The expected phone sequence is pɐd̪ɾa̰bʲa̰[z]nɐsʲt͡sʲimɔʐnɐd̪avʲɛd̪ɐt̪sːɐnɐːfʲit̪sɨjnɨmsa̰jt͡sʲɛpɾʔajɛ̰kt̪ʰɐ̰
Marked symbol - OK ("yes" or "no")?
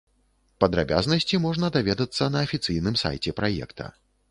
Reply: yes